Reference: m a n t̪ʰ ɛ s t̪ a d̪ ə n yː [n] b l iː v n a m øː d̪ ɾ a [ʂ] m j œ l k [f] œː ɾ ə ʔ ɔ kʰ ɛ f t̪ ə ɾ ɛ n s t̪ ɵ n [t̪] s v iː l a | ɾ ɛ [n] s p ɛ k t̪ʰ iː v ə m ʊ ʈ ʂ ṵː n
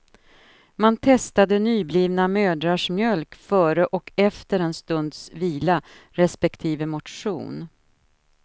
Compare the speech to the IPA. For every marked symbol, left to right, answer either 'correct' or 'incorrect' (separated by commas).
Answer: incorrect, correct, correct, incorrect, incorrect